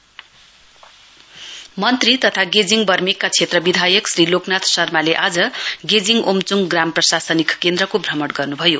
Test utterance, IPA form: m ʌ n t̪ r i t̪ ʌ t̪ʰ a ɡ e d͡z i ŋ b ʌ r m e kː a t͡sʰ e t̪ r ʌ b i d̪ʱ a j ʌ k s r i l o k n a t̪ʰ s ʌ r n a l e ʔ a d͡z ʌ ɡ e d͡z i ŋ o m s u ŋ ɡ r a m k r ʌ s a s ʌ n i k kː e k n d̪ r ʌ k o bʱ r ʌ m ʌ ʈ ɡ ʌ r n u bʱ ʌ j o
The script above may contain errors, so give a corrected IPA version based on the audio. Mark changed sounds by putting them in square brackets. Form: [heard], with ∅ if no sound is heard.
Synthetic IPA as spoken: m ʌ n t̪ r i t̪ ʌ t̪ʰ a ɡ e d͡z i ŋ b ʌ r m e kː a t͡sʰ e t̪ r ʌ b i d̪ʱ a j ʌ k s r i l o k n a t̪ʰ s ʌ r [m] a l e ʔ a d͡z ʌ ɡ e d͡z i ŋ o m [t͡s] u ŋ ɡ r a m [p] r ʌ s a s ʌ n i k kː e [∅] n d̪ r ʌ k o bʱ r ʌ m ʌ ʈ ɡ ʌ r n u bʱ ʌ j o